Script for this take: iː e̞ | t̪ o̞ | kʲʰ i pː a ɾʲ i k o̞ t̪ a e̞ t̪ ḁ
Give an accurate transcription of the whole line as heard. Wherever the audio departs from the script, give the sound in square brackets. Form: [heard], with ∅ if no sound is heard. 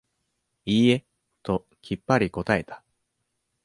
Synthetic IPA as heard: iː e̞ | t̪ o̞ | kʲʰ i pː a ɾʲ i k o̞ t̪ a e̞ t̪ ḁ

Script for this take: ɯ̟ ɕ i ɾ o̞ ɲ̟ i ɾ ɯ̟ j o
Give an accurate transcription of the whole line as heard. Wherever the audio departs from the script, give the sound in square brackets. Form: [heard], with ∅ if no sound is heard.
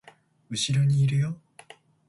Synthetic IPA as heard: ɯ̟ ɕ i ɾ o̞ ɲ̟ [iː] ɾ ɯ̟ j o

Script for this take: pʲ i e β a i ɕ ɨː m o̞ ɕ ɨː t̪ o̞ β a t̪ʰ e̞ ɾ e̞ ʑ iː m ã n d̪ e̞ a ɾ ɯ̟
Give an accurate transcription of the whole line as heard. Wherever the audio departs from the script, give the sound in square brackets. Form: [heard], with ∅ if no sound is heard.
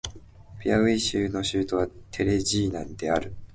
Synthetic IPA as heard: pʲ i [a] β [e] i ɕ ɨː [n] o̞ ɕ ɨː t̪ o̞ β a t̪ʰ e̞ ɾ e̞ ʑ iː [n] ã n d̪ e̞ a ɾ ɯ̟

